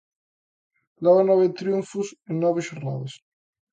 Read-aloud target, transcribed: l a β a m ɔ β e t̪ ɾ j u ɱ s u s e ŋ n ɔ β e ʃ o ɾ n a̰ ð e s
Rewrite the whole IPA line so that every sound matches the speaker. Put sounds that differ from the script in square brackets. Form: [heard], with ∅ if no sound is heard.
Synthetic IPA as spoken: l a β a [n] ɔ β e t̪ ɾ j u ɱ [f] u s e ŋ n ɔ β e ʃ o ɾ n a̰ ð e s